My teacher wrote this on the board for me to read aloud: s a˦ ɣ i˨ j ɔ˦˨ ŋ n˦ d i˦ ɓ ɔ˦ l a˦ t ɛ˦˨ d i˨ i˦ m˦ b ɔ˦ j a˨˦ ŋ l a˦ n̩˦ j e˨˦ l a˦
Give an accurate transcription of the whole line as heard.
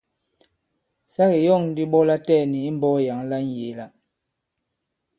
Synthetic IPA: s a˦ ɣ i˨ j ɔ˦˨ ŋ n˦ d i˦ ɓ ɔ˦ l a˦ t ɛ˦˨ n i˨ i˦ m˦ b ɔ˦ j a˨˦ ŋ l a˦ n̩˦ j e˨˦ l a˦